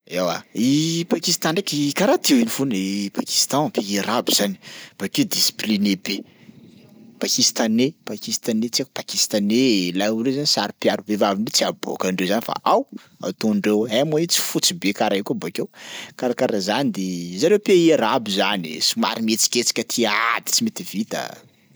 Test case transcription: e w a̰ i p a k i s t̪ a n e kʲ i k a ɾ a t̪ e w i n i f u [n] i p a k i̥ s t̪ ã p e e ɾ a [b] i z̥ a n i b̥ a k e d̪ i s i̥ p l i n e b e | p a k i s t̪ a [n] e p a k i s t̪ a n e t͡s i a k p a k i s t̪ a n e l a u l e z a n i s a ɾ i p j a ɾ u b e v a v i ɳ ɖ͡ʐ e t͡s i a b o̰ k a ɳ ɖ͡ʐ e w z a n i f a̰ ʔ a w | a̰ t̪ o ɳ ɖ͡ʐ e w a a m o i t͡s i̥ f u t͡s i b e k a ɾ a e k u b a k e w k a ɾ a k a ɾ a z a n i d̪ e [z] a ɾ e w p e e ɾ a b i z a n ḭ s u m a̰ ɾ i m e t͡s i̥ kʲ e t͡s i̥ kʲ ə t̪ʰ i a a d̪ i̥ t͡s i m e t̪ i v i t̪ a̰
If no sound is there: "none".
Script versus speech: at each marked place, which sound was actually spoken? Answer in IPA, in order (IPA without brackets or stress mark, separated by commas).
n, b, n, z